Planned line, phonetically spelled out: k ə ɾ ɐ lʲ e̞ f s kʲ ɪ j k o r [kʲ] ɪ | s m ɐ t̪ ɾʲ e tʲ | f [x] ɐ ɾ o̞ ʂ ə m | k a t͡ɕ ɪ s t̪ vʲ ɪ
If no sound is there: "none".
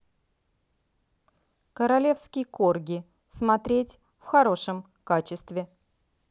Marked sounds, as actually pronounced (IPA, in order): ɡʲ, x

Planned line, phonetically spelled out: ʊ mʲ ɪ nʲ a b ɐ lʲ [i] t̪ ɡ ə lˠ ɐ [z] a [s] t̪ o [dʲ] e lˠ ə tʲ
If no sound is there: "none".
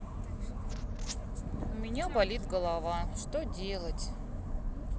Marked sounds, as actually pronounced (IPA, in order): i, v, ʂ, dʲ

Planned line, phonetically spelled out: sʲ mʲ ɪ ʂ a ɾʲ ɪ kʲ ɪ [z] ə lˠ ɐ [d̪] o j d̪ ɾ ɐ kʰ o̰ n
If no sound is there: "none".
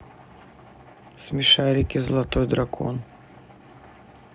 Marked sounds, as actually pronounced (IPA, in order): z, t̪

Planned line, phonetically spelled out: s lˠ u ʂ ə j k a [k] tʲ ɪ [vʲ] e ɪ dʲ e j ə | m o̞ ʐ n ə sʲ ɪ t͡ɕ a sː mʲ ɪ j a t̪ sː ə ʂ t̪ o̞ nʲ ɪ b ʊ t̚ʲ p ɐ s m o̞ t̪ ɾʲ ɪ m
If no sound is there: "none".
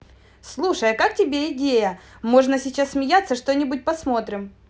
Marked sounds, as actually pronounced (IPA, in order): k, bʲ

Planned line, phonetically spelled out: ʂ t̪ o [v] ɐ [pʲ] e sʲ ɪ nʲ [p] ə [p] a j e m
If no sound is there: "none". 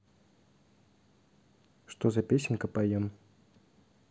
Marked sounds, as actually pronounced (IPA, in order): z, pʲ, k, p

